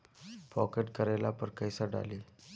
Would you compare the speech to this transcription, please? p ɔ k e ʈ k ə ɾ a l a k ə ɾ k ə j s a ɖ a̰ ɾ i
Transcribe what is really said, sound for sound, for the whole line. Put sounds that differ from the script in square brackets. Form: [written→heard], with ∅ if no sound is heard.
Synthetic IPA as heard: p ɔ k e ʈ k ə ɾ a l a [k→p] ə ɾ k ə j s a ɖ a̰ [ɾ→l] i